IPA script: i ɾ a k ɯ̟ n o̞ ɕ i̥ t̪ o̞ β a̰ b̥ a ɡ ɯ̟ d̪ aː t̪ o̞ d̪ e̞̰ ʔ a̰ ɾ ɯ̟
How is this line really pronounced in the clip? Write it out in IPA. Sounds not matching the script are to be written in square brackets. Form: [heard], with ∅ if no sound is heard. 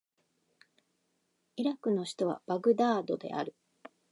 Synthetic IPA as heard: i ɾ a k ɯ̟ n o̞ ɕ i̥ t̪ o̞ β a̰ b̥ a ɡ ɯ̟ d̪ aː [d̪] o̞ d̪ e̞̰ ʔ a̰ ɾ ɯ̟